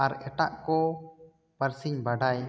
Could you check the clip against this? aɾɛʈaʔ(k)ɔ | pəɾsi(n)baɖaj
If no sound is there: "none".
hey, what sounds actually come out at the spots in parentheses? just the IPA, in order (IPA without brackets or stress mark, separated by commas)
k, ɲ